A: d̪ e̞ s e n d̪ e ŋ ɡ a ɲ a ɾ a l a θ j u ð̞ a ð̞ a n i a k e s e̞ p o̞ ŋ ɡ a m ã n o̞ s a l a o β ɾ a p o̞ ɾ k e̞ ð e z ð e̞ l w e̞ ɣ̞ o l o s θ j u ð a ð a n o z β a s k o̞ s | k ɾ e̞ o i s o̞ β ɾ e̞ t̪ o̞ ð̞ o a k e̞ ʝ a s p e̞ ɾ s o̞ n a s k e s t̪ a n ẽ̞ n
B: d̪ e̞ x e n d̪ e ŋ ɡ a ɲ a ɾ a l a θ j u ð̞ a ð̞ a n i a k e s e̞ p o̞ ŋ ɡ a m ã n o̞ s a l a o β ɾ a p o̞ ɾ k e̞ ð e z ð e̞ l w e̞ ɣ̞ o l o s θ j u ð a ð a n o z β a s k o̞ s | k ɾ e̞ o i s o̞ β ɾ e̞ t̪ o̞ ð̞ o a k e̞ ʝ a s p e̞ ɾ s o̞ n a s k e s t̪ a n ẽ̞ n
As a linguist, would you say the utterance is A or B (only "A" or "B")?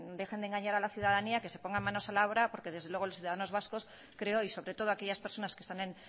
B